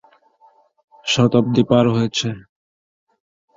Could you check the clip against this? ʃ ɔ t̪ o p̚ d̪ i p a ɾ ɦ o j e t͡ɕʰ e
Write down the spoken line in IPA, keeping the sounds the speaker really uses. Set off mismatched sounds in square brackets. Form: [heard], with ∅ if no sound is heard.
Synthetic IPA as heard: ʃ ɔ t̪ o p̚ d̪ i p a ɾ ɦ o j e t͡ɕʰ e